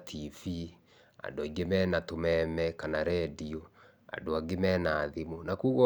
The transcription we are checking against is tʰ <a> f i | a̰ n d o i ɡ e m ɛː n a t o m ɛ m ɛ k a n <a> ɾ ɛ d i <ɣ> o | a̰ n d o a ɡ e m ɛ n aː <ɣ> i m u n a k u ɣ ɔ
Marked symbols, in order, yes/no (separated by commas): no, yes, no, no